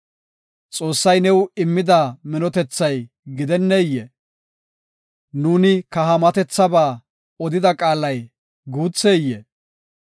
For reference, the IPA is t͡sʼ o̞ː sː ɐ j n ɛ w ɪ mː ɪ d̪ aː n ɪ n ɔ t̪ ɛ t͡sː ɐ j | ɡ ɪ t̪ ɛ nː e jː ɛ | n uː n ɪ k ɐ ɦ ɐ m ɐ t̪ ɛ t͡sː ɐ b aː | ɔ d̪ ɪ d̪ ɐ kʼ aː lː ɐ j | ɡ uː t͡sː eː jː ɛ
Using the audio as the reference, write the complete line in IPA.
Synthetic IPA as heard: t͡sʼ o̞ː sː ɐ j n ɛ w ɪ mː ɪ d̪ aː m ɪ n ɔ t̪ ɛ t͡sː ɐ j | ɡ ɪ d̪ ɛ nː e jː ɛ | n uː n ɪ k ɐ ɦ ɐ m ɐ t̪ ɛ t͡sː ɐ b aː | ɔ d̪ ɪ d̪ ɐ kʼ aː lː ɐ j | ɡ uː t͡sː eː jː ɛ